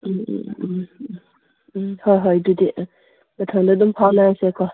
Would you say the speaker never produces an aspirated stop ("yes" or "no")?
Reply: no